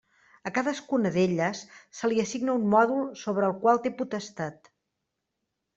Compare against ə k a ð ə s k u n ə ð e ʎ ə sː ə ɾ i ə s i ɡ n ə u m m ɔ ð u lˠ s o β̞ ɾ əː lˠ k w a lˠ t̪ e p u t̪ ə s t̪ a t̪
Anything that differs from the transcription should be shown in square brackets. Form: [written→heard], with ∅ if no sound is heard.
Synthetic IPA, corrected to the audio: ə k a ð ə s k u n ə ð e ʎ ə sː ə [ɾ→l] i ə s i ɡ n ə u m m ɔ ð u lˠ s o β̞ ɾ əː lˠ k w a lˠ t̪ e p u t̪ ə s t̪ a t̪